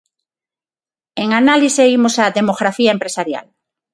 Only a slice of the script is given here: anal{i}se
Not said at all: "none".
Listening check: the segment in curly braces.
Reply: i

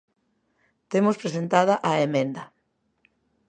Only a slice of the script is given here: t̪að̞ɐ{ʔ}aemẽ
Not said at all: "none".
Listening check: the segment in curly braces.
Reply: ʔ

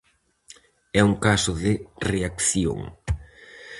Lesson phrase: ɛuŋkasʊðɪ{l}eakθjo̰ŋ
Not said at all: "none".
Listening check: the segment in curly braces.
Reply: r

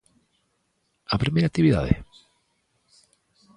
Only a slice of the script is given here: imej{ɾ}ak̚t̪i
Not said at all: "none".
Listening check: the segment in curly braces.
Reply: ɾ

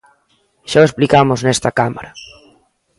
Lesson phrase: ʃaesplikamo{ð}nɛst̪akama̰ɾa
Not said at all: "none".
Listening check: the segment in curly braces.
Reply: z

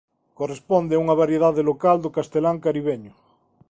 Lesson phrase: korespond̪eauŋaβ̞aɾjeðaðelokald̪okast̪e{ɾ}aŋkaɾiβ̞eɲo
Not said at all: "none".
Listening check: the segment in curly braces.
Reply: l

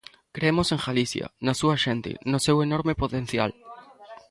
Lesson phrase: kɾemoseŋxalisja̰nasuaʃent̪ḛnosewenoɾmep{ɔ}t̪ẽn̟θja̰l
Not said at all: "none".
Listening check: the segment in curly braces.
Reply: o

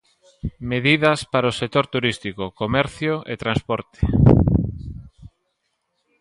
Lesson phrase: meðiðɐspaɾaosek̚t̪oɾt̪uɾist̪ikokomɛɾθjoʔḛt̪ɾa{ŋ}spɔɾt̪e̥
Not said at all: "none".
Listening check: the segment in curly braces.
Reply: n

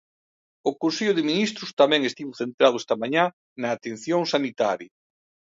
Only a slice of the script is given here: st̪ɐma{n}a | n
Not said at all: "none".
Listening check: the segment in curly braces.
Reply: ɲ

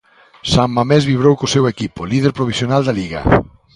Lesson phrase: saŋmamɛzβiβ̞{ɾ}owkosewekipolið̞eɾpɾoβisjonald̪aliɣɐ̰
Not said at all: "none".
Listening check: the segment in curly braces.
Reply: ɾ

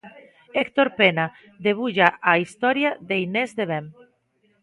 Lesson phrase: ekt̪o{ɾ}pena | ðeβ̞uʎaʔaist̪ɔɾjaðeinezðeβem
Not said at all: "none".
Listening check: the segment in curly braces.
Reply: ɾ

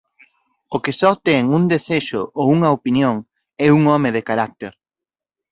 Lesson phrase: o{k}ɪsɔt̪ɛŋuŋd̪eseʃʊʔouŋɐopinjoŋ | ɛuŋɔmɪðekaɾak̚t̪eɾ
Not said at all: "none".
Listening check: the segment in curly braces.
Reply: k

